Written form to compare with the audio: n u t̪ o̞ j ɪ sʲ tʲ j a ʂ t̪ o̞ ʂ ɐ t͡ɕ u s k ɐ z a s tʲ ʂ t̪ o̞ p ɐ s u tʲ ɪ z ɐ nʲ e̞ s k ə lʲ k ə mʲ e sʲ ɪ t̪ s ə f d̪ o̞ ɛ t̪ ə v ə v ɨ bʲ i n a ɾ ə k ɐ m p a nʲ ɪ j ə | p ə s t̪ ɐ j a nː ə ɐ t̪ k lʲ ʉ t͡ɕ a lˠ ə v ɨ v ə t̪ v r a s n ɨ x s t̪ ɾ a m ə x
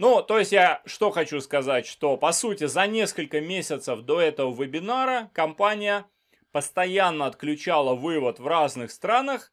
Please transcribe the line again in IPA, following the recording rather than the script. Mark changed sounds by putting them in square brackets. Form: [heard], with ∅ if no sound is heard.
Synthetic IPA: n u t̪ o̞ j ɪ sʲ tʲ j a ʂ t̪ o̞ [x] ɐ t͡ɕ u s k ɐ z a [∅] tʲ ʂ t̪ o̞ p ɐ s u tʲ ɪ z ɐ nʲ e̞ s k ə lʲ k ə mʲ e sʲ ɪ t̪ s ə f d̪ o̞ ɛ t̪ ə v ə v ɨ bʲ [ɪ] n a ɾ ə k ɐ m p a nʲ ɪ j ə | p ə s t̪ ɐ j a nː ə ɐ t̪ k lʲ ʉ t͡ɕ a lˠ ə v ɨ v ə t̪ v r a [z] n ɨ x s t̪ ɾ a [n] ə x